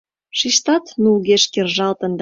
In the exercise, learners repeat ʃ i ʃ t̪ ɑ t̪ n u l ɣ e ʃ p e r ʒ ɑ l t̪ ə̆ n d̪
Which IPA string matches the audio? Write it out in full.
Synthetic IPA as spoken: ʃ i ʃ t̪ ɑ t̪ n u l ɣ e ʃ k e r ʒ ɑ l t̪ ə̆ n d̪